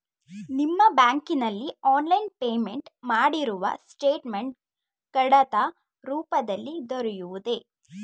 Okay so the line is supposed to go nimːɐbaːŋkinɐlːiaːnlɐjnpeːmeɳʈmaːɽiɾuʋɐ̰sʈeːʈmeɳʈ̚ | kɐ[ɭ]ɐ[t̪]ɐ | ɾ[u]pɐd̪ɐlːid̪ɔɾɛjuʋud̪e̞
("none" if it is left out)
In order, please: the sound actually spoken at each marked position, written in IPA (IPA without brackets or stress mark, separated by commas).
ɽ, t̪, uː